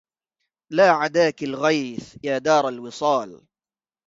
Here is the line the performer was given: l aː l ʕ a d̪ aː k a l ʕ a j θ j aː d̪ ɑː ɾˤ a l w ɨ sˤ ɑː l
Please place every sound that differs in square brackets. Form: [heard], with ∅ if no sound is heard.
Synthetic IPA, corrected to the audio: l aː [∅] ʕ a d̪ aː k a l [ɣ] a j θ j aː d̪ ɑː ɾˤ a l w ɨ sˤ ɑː l